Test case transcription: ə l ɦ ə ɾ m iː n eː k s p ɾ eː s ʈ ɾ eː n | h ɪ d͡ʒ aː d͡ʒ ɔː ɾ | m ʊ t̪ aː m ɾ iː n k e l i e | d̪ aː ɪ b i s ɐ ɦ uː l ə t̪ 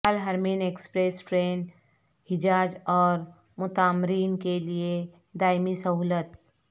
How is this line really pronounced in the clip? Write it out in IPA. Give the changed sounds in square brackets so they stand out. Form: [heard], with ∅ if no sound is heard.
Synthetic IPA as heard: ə l ɦ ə ɾ m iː n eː k s p ɾ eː s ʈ ɾ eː n | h ɪ d͡ʒ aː d͡ʒ ɔː ɾ | m ʊ t̪ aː m ɾ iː n k e l i e | d̪ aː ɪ [m] i s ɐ ɦ uː l ə t̪